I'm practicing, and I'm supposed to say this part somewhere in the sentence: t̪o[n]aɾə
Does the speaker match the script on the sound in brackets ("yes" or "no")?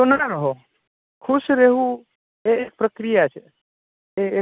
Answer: yes